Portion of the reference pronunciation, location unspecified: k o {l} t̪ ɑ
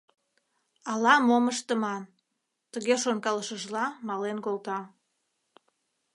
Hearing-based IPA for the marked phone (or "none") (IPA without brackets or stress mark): l